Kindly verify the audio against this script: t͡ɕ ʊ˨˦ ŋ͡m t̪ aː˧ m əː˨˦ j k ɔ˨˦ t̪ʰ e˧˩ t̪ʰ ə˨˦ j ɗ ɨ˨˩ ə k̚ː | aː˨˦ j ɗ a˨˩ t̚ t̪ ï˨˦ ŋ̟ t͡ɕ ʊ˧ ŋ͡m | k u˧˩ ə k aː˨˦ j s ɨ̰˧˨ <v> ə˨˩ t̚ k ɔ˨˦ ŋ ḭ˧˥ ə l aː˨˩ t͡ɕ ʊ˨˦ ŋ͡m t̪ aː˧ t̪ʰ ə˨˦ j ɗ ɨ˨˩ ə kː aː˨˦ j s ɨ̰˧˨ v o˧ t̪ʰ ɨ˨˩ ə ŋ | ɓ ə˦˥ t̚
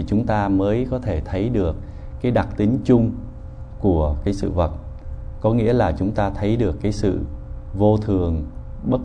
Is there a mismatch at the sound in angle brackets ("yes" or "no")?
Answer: no